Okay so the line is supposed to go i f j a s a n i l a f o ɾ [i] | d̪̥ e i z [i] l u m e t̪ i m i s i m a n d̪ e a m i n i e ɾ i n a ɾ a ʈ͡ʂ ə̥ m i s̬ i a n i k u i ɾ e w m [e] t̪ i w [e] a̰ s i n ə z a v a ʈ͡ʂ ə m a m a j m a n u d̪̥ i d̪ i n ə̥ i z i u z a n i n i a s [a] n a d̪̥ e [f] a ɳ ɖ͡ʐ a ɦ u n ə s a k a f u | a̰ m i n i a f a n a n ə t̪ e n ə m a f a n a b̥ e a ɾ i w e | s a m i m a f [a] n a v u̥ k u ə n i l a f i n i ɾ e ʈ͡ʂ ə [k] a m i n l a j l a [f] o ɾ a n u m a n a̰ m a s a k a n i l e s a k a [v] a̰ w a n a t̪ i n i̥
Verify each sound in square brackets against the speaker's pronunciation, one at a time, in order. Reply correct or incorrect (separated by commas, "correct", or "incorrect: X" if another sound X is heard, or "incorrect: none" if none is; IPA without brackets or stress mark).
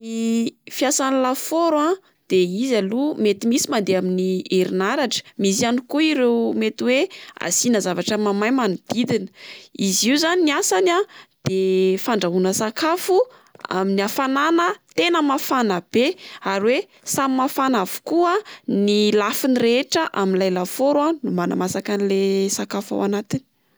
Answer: incorrect: a, incorrect: a, correct, correct, correct, correct, correct, incorrect: ʔ, correct, incorrect: f